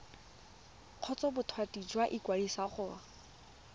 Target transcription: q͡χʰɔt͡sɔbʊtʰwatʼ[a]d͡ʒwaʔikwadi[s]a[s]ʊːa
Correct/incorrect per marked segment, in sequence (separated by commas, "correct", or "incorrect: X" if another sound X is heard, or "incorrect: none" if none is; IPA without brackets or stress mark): incorrect: i, correct, incorrect: χ